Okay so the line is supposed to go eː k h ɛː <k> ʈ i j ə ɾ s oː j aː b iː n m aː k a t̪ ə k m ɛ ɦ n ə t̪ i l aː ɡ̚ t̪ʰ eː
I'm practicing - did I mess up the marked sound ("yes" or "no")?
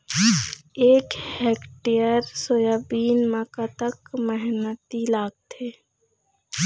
no